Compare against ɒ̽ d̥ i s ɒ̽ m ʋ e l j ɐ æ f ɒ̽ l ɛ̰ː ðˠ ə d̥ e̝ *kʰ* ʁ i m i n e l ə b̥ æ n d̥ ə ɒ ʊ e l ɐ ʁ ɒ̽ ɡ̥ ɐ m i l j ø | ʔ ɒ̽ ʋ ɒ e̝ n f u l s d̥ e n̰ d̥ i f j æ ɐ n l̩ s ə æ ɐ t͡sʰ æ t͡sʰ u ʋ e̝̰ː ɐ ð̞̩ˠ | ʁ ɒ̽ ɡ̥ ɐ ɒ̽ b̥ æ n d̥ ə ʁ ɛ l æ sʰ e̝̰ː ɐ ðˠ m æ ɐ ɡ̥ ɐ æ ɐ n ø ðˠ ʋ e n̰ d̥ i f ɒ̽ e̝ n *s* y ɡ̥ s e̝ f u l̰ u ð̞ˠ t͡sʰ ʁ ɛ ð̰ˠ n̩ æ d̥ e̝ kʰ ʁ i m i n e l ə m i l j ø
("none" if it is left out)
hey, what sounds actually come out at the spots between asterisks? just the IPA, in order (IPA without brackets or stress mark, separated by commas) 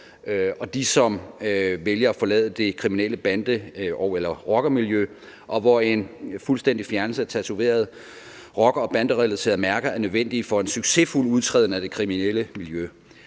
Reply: kʰ, s